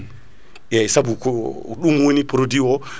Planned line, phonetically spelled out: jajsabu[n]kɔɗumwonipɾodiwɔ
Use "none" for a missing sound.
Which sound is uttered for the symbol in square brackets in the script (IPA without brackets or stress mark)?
none